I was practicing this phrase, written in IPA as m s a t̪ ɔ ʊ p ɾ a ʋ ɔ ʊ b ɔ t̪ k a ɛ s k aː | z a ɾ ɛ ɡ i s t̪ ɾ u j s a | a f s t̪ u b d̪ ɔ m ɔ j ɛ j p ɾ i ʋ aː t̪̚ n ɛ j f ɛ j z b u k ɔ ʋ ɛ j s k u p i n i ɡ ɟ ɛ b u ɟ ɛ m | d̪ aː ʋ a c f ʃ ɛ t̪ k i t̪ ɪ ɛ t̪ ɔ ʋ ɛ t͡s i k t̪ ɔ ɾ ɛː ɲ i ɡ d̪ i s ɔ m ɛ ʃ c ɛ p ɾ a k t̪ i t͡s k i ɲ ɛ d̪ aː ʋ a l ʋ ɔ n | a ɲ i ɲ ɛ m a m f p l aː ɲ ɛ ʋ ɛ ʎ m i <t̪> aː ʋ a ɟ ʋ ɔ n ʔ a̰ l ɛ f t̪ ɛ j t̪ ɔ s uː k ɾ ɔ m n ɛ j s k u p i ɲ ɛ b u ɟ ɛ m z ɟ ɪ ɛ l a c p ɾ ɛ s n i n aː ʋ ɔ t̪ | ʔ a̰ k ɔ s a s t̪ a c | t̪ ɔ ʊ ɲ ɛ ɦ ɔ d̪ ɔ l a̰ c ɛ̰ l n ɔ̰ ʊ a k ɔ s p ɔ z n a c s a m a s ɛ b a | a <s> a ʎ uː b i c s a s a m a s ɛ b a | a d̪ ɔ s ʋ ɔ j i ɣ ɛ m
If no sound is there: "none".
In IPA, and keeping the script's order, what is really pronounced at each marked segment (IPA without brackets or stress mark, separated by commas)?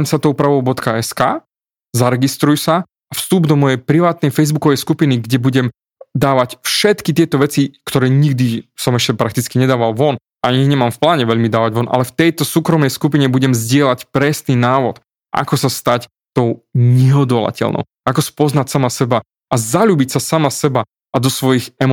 d̪, z